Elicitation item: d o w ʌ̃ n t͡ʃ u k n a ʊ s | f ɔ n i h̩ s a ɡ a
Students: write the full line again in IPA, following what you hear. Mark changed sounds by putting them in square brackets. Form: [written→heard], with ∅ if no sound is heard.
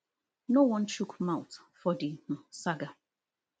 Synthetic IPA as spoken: [d→n] o w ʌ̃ n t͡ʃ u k [n→m] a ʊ [s→t] | f ɔ [n→d] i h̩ s a ɡ a